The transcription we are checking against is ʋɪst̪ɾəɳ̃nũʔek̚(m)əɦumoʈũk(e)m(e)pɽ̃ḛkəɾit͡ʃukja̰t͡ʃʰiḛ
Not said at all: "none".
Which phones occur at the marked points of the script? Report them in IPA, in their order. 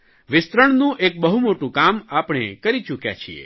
b, a, a

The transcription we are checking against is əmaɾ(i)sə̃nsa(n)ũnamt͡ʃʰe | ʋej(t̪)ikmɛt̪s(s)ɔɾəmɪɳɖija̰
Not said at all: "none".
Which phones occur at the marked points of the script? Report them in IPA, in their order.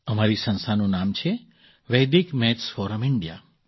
i, n, d̪, f

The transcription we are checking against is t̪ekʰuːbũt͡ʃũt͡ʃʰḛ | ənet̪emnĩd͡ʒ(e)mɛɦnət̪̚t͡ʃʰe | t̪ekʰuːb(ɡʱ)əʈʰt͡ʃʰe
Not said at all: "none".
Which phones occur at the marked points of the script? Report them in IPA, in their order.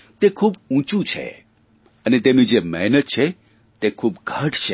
e, ɡʱ

